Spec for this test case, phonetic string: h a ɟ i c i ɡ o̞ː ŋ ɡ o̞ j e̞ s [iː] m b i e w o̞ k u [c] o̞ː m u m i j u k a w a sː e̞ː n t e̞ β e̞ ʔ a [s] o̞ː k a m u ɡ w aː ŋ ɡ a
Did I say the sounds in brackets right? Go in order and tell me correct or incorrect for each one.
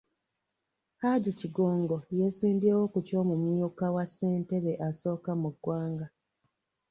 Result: correct, correct, correct

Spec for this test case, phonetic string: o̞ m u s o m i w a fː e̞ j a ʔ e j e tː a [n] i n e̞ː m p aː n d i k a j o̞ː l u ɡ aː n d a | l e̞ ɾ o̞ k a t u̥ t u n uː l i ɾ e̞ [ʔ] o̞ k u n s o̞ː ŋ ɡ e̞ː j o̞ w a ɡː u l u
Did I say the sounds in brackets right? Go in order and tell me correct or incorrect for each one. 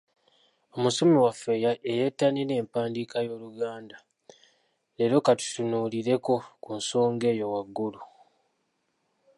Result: correct, incorrect: k

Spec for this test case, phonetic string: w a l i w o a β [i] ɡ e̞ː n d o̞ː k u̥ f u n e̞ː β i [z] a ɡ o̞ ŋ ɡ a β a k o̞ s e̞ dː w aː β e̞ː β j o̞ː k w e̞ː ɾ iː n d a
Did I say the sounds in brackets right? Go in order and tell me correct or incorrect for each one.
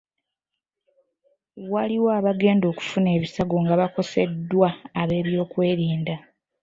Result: incorrect: a, incorrect: s

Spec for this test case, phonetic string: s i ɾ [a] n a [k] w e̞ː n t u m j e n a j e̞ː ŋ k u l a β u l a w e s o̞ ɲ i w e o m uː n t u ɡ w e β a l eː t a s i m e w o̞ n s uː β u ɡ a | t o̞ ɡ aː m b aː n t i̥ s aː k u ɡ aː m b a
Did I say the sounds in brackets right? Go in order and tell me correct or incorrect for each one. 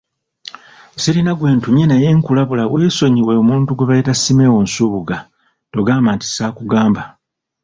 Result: incorrect: i, incorrect: ɡ

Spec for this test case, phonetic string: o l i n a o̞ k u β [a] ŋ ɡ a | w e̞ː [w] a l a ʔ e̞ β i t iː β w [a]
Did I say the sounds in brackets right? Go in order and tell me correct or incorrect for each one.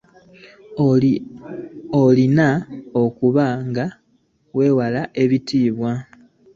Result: correct, correct, correct

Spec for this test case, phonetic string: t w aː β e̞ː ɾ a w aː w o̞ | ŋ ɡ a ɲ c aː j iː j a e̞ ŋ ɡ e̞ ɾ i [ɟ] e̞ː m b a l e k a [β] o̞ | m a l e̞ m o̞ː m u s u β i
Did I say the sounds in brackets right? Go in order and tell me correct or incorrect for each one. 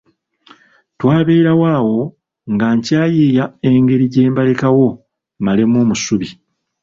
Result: correct, incorrect: w

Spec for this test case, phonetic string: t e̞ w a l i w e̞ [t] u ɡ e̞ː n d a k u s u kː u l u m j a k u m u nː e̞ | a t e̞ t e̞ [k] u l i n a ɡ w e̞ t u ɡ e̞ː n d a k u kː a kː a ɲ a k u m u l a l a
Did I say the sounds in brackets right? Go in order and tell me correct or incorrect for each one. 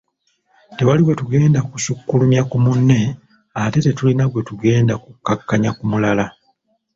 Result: correct, incorrect: t

